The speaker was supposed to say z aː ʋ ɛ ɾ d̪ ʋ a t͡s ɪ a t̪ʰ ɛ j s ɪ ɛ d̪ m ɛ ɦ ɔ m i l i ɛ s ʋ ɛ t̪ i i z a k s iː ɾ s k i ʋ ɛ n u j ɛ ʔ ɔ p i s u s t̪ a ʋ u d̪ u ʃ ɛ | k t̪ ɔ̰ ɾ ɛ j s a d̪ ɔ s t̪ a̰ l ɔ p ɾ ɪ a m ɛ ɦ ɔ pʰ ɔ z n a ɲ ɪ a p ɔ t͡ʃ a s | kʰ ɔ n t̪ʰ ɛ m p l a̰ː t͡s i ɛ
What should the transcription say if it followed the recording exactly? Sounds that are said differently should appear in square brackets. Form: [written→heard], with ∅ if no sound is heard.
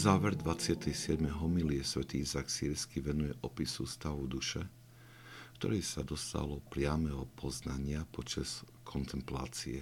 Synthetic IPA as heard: z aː ʋ ɛ ɾ d̪ ʋ a t͡s ɪ a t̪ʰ ɛ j s ɪ ɛ d̪ m ɛ ɦ ɔ m i l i ɛ s ʋ ɛ t̪ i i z a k s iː ɾ s k i ʋ ɛ n u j ɛ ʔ ɔ p i s u s t̪ a ʋ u d̪ u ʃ ɛ | k t̪ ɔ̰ ɾ ɛ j s a d̪ ɔ s t̪ a̰ l ɔ p ɾ ɪ a m ɛ ɦ ɔ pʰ ɔ z n a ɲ ɪ a p ɔ t͡ʃ a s | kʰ ɔ n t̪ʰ ɛ m p l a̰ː t͡s i ɛ